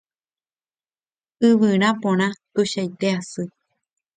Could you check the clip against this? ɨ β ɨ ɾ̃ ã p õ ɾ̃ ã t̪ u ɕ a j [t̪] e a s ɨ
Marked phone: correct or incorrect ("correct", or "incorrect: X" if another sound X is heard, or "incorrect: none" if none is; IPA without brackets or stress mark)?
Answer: correct